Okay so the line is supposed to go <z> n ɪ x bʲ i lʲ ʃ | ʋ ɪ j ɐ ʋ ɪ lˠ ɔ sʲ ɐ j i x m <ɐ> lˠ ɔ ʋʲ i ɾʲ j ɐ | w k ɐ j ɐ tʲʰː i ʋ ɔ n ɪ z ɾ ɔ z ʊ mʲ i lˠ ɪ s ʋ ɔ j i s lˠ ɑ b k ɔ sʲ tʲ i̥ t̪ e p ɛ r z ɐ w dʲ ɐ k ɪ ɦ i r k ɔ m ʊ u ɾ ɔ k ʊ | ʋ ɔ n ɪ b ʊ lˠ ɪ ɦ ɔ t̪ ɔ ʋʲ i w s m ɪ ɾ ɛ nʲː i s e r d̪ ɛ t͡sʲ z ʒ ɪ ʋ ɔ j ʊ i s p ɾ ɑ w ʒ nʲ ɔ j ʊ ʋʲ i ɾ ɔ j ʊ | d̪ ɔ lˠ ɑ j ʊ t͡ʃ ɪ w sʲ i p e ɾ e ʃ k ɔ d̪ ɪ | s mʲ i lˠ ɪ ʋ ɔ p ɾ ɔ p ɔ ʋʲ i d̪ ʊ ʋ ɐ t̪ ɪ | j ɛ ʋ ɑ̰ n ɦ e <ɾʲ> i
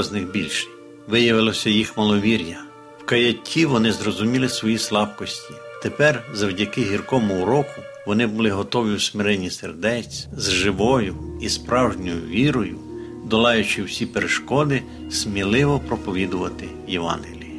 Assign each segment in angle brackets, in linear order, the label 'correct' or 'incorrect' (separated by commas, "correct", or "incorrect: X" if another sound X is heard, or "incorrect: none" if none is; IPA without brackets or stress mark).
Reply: correct, correct, incorrect: lʲ